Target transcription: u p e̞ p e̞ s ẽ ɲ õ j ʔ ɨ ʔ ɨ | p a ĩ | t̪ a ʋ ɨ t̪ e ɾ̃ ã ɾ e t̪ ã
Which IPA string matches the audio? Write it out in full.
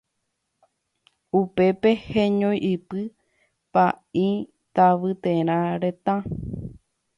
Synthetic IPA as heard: u p e̞ p e̞ h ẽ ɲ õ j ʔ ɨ p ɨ | p a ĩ | t̪ a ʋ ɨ t̪ e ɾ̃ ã ɾ e t̪ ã